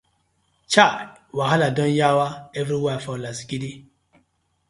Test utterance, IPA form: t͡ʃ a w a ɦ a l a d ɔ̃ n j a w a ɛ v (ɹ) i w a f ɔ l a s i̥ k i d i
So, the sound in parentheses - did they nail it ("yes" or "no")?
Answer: no